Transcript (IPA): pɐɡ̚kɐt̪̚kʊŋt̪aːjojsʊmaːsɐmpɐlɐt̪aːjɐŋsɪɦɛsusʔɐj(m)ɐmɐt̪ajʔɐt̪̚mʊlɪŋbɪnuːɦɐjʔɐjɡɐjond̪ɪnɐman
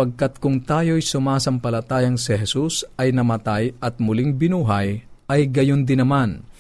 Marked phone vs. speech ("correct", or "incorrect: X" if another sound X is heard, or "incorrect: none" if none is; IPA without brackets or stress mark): incorrect: n